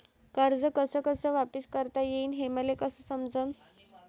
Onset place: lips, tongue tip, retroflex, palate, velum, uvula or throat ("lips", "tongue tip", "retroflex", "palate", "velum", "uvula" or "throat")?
velum